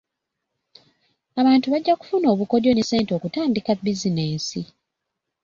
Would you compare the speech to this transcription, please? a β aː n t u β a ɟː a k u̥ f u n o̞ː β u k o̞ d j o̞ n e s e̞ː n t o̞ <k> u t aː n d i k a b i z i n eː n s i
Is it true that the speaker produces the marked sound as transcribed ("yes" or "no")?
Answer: yes